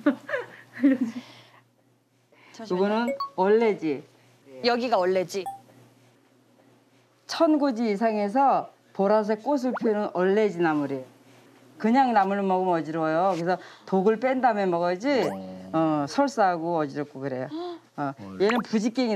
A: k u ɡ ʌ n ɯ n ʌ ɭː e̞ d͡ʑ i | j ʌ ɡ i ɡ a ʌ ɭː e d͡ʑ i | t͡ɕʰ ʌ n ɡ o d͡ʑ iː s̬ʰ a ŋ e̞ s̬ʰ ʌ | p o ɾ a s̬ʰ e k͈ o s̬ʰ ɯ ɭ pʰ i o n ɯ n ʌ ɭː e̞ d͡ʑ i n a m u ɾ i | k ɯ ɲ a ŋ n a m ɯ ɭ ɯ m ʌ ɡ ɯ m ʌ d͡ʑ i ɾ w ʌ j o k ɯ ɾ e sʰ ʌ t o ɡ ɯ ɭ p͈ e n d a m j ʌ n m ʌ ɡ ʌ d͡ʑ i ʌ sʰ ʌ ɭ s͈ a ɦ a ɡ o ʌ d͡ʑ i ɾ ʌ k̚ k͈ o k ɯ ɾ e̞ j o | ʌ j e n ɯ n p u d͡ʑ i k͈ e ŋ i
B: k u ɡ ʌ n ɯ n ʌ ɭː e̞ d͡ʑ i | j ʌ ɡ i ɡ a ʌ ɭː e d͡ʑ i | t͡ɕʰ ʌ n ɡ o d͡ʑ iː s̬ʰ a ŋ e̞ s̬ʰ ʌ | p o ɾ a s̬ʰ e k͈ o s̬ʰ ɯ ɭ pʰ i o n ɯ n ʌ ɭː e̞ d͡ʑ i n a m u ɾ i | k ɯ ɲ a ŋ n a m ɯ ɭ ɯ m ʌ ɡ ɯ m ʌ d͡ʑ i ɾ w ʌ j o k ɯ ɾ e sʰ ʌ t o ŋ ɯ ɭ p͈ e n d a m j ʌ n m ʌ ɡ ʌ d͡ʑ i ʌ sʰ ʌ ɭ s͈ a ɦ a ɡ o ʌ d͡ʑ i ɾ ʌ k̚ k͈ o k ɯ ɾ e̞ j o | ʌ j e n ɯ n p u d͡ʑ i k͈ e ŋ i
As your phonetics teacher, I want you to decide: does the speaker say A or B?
A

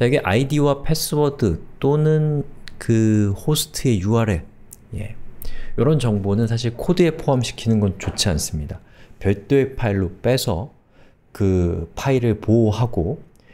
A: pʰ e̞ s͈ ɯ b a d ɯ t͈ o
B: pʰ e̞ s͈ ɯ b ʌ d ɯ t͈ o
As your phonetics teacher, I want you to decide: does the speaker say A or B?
B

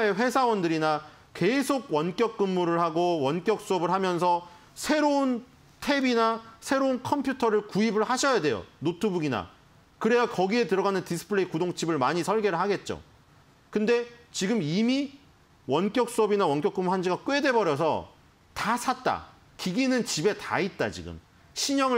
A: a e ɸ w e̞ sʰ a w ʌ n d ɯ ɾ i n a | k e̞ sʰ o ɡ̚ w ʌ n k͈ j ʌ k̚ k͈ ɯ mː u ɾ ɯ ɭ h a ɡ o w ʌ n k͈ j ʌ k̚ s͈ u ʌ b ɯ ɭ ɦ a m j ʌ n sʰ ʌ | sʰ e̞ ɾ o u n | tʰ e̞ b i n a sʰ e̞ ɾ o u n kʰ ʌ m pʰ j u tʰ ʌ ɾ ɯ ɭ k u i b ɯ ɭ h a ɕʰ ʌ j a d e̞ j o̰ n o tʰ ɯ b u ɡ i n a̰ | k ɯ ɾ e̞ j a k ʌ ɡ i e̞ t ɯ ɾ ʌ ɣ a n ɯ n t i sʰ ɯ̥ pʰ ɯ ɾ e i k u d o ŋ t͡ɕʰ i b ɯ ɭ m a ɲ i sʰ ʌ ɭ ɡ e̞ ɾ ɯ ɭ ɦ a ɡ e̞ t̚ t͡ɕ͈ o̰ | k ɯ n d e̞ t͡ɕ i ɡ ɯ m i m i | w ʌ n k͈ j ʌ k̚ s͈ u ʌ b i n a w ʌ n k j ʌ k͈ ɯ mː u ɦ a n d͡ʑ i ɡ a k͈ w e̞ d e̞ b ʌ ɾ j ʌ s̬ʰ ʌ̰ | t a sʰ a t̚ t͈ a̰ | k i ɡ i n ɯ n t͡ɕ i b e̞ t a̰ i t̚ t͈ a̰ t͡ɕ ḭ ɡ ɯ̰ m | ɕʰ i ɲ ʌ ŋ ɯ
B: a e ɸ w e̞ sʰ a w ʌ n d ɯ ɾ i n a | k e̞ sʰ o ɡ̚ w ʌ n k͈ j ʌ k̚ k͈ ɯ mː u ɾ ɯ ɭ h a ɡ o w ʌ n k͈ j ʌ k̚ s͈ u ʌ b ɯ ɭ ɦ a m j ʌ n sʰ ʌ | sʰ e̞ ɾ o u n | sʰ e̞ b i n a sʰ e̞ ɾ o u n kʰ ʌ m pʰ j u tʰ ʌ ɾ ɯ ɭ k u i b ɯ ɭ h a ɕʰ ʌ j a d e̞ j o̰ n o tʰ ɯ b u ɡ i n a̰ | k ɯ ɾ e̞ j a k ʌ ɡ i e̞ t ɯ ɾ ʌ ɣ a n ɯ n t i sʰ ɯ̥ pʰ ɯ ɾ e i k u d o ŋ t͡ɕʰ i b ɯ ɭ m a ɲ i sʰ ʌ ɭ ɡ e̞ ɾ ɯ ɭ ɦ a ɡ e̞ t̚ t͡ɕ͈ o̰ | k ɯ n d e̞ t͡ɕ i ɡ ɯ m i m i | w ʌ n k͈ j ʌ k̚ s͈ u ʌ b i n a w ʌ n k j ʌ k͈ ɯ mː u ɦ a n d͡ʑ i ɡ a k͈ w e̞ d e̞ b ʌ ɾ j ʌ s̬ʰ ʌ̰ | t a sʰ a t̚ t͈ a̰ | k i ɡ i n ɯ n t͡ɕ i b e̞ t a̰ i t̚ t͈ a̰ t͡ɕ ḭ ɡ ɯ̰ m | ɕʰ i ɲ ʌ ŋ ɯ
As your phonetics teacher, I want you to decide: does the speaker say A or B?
A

